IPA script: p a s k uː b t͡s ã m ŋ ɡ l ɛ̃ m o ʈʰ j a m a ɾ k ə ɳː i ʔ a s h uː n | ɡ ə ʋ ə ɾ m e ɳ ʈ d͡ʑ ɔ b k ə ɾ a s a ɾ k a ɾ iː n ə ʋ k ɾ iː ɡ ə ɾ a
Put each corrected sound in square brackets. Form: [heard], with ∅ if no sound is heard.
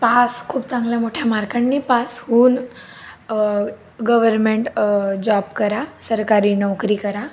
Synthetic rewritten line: p a s [kʰ] uː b t͡s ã [∅] ŋ ɡ l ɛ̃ m o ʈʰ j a m a ɾ k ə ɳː i [p] a s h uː n | ɡ ə ʋ ə ɾ m e ɳ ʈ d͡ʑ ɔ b k ə ɾ a s [ə] ɾ k a ɾ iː n ə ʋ k ɾ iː [k] ə ɾ a

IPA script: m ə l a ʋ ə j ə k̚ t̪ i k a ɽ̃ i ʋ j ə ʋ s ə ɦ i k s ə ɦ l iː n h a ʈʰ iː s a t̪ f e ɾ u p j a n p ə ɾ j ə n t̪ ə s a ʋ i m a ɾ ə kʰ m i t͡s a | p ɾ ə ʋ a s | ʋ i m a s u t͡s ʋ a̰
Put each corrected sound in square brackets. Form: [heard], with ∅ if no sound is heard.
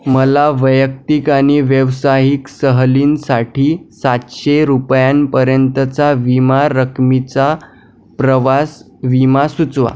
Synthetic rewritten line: m ə l a ʋ ə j ə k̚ t̪ i k a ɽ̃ i ʋ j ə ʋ s [a] ɦ i k s ə ɦ l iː n [s] a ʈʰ iː s a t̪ [ɕ] e ɾ u p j a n p ə ɾ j ə n t̪ ə [t͡s] a ʋ i m a ɾ ə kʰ m i t͡s a | p ɾ ə ʋ a s | ʋ i m a s u t͡s ʋ a̰

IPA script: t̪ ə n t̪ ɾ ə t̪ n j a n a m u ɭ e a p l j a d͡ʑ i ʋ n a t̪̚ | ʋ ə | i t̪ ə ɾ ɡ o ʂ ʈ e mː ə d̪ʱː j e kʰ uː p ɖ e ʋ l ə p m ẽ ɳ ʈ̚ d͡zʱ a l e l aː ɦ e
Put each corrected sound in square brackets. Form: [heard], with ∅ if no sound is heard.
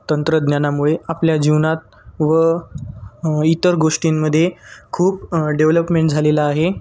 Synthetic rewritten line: t̪ ə n t̪ ɾ ə [d̪] n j a n a m u ɭ e a p l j a d͡ʑ i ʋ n a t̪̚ | ʋ ə | i t̪ ə ɾ ɡ o ʂ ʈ [i] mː ə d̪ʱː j e kʰ uː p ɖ e ʋ l ə p m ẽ ɳ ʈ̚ d͡zʱ a l e l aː ɦ e

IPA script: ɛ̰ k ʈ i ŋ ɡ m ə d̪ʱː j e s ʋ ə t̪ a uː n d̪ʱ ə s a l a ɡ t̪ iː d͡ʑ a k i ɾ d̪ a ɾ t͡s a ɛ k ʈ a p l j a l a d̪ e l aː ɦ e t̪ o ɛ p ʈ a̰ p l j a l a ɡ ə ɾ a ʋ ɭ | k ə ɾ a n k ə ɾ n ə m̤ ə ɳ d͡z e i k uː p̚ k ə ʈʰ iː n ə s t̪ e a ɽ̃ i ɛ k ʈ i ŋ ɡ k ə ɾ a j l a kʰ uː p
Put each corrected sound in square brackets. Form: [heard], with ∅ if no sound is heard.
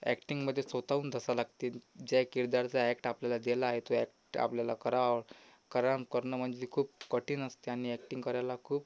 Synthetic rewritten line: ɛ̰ k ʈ i ŋ ɡ m ə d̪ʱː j e s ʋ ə t̪ a uː n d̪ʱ ə s a l a ɡ t̪ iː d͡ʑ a k i ɾ d̪ a ɾ t͡s a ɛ k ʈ a p l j a l a d̪ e l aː ɦ e t̪ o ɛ [k] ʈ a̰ p l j a l a [k] ə ɾ a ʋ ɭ | k ə ɾ a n k ə ɾ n ə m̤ ə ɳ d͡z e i [kʰ] uː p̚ k ə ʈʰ iː n ə s t̪ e a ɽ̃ i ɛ k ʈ i ŋ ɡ k ə ɾ a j l a kʰ uː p

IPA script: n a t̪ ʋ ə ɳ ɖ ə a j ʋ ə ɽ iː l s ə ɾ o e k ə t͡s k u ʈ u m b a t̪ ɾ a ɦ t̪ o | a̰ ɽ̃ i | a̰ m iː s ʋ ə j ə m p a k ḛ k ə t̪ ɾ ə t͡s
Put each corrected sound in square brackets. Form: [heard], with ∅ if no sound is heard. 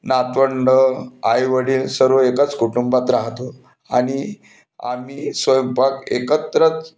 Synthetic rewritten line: n a t̪ ʋ ə ɳ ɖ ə a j ʋ ə ɽ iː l s ə ɾ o e k ə t͡s k u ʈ u m b a t̪ ɾ a ɦ t̪ o | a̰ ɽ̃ i | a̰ m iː s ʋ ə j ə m p a k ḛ k ə t̪ ɾ ə t͡s

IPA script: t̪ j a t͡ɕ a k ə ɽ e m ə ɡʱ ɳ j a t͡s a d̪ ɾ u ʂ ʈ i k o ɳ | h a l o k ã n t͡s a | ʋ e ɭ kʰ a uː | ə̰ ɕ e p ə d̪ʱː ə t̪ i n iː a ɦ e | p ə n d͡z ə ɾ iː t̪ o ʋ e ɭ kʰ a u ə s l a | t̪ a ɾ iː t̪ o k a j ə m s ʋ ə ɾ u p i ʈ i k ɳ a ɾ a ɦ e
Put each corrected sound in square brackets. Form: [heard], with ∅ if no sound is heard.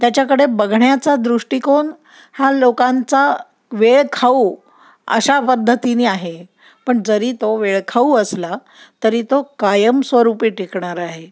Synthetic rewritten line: t̪ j a t͡ɕ a k ə ɽ e [b] ə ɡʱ ɳ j a t͡s a d̪ ɾ u ʂ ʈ i k o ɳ | h a l o k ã n t͡s a | ʋ e ɭ kʰ a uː | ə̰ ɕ [a] p ə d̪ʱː ə t̪ i n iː a ɦ e | p ə [ɳ] d͡z ə ɾ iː t̪ o ʋ e ɭ kʰ a u ə s l a | t̪ [ə] ɾ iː t̪ o k a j ə m s ʋ ə ɾ u p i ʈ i k ɳ a ɾ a ɦ e

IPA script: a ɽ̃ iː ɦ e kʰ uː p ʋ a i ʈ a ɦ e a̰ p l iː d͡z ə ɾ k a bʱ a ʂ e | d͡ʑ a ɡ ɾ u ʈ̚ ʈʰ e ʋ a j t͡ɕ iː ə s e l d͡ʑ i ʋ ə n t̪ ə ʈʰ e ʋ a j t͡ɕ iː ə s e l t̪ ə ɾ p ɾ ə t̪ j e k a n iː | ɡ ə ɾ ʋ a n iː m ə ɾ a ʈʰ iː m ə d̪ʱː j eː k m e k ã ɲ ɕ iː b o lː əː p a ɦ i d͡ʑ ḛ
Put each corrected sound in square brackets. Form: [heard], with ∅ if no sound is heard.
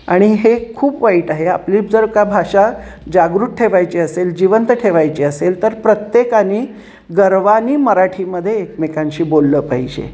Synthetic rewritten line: a ɽ̃ [i] ɦ e kʰ uː p ʋ a i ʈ a ɦ e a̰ p l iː d͡z ə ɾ k a bʱ a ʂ [a] | d͡ʑ a ɡ ɾ u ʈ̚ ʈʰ e ʋ a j t͡ɕ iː ə s e l d͡ʑ i ʋ ə n t̪ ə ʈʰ e ʋ a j t͡ɕ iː ə s e l t̪ ə ɾ p ɾ ə t̪ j e k a n iː | ɡ ə ɾ ʋ a n iː m ə ɾ a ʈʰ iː m ə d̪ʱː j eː k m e k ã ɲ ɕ iː b o lː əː p a ɦ i d͡ʑ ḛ

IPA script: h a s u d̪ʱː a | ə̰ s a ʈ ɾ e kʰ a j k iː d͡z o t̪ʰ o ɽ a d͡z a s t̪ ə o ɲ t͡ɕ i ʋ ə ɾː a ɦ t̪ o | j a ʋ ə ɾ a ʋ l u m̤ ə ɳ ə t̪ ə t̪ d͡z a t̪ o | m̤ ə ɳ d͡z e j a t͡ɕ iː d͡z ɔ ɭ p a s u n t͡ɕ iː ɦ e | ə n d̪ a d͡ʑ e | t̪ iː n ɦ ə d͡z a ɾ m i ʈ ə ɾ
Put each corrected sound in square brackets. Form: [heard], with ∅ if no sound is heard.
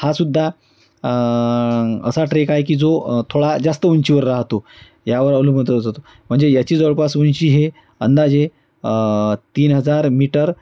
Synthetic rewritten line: h a s u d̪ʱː a | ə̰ s a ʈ ɾ e [k] a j k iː d͡z o t̪ʰ o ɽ a d͡z a s t̪ ə [u] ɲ t͡ɕ i ʋ ə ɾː a ɦ t̪ o | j a ʋ ə ɾ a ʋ l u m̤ ə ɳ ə t̪ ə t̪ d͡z a t̪ o | m̤ ə ɳ d͡z e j a t͡ɕ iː d͡z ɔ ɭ p a s u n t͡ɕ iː ɦ e | ə n d̪ a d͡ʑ e | t̪ iː n ɦ ə d͡z a ɾ m i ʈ ə ɾ

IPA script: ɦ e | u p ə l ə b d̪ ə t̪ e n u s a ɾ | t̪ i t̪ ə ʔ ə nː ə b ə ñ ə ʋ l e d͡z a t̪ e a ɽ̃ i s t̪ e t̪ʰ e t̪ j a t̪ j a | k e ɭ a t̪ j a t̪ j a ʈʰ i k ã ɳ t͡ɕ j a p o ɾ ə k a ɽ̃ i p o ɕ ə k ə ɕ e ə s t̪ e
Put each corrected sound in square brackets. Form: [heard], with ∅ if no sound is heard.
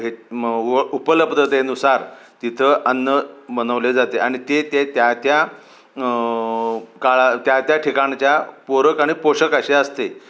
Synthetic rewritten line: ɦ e | u p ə l ə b d̪ ə t̪ e n u s a ɾ | t̪ i [t̪ʰ] ə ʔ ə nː ə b ə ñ ə ʋ l e d͡z a t̪ e a ɽ̃ i [∅] t̪ e [t̪] e t̪ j a t̪ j a | k [a] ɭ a t̪ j a t̪ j a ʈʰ i k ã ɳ t͡ɕ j a p o ɾ ə k a ɽ̃ i p o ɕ ə k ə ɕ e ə s t̪ e

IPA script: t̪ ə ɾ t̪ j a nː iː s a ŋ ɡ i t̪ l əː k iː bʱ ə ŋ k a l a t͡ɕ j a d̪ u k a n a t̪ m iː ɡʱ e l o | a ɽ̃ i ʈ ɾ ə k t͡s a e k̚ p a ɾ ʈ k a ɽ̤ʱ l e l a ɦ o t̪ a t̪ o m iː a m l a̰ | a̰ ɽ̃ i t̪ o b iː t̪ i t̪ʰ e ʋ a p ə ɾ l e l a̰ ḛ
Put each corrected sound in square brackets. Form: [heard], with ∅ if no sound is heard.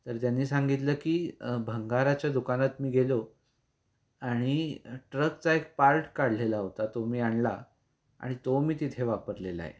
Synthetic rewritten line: t̪ ə ɾ t̪ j a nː iː s a ŋ ɡ i t̪ l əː k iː bʱ ə ŋ [ɡ] a [ɾ] a t͡ɕ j a d̪ u k a n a t̪ m iː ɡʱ e l o | a ɽ̃ i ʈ ɾ ə k t͡s a e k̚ p a ɾ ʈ k a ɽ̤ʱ l e l a ɦ o t̪ a t̪ o m iː a [ɳ] l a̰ | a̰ ɽ̃ i t̪ o [m] iː t̪ i t̪ʰ e ʋ a p ə ɾ l e l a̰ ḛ

